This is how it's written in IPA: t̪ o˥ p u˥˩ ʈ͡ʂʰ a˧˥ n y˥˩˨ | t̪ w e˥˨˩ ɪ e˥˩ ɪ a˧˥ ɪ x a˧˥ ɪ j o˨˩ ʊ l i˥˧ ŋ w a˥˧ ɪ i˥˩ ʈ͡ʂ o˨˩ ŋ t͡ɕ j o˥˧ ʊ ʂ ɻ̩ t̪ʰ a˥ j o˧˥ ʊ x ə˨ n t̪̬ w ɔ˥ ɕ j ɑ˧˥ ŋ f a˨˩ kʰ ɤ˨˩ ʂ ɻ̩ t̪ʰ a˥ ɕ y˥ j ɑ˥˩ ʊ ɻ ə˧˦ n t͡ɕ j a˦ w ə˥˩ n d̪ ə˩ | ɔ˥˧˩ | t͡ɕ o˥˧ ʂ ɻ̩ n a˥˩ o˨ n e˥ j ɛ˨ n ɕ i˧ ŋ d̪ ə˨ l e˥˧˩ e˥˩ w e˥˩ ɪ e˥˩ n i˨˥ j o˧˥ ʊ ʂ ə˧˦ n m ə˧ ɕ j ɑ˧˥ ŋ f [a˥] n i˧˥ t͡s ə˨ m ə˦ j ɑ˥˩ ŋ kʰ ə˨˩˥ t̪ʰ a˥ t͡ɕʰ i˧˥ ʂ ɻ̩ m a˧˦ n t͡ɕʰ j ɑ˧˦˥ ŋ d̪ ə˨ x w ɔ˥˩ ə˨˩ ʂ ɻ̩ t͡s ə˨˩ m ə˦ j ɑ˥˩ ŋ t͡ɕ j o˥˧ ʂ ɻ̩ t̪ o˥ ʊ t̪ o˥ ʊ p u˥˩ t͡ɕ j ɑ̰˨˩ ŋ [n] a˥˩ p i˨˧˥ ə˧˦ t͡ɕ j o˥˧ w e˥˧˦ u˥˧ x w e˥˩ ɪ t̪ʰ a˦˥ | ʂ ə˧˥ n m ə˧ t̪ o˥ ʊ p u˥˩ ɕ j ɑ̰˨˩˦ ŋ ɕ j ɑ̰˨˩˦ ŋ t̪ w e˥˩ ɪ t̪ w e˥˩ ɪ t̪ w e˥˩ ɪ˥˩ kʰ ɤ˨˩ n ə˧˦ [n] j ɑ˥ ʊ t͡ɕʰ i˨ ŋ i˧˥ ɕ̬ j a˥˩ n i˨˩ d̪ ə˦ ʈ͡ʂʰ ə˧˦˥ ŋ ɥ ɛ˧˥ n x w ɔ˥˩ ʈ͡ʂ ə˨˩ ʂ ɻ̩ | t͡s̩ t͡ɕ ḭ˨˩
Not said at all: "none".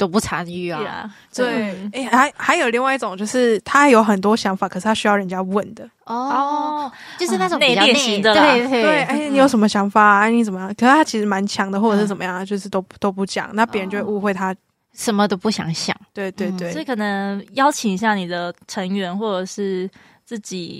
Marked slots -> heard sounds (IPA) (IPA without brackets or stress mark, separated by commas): a˨˩˥, n, ŋ